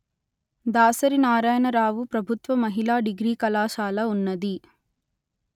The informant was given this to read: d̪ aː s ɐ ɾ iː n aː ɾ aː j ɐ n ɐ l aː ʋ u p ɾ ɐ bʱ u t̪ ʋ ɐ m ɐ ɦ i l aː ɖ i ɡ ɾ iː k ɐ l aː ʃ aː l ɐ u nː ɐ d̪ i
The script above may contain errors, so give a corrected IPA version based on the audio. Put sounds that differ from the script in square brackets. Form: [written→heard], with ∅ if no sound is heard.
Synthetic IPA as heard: d̪ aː s ɐ ɾ [iː→i] n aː ɾ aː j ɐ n ɐ [l→ɾ] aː ʋ u p ɾ ɐ bʱ u t̪ ʋ ɐ m ɐ ɦ i l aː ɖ i ɡ ɾ iː k ɐ l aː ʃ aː l ɐ u nː ɐ d̪ i